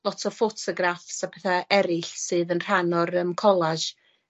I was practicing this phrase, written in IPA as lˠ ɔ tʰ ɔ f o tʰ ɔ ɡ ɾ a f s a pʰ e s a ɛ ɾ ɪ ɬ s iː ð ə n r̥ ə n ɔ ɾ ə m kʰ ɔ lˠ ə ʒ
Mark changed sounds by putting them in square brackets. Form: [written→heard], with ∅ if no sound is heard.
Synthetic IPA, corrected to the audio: lˠ ɔ tʰ ɔ f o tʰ ɔ ɡ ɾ a f s a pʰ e [s→θ] a ɛ ɾ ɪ ɬ s [iː→ɨː] ð ə n r̥ [ə→a] n ɔ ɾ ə m kʰ ɔ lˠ [ə→a] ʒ